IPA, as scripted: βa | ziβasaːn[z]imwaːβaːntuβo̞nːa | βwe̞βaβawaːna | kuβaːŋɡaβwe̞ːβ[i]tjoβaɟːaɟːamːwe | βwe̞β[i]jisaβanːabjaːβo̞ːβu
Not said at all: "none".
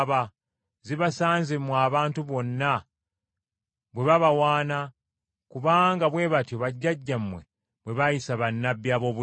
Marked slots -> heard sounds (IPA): z, a, a

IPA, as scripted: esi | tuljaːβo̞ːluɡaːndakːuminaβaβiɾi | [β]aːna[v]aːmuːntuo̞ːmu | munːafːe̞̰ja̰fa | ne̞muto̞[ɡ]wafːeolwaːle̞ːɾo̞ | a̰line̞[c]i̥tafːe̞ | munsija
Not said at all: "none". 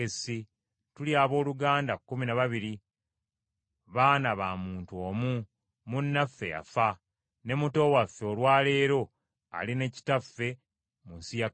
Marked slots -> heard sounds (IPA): β, β, none, c

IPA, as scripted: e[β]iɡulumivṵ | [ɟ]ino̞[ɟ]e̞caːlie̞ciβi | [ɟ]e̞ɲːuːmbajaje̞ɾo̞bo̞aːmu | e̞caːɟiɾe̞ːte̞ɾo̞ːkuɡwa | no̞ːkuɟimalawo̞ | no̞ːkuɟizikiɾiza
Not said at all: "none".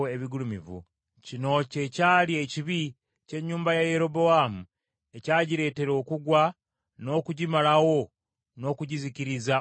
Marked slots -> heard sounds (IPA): β, c, c, c

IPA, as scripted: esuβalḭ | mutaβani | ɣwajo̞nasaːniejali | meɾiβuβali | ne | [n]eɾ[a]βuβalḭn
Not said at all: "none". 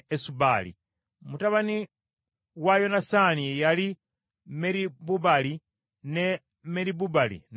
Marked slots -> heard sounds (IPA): m, i

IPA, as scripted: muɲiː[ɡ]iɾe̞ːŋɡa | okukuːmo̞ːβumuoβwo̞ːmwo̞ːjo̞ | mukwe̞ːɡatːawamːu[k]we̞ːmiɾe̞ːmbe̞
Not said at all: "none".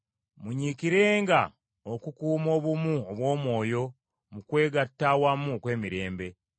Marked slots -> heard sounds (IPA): k, k

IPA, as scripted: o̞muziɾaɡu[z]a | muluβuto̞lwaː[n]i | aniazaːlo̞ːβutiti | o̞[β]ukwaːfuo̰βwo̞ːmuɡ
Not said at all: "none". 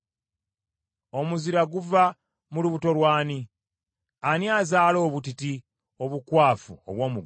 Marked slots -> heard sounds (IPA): v, n, β

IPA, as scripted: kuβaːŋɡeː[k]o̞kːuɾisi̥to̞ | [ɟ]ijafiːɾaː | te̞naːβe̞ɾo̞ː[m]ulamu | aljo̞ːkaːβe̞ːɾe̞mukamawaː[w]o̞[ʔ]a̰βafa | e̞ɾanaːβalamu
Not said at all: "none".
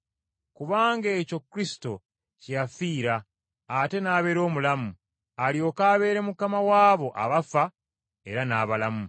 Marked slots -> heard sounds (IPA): c, c, m, β, ʔ

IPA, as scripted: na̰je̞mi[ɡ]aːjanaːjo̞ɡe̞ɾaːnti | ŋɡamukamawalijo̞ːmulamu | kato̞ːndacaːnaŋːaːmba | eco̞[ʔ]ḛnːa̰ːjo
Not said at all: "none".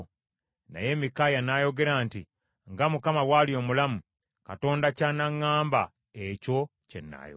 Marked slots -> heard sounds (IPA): k, c

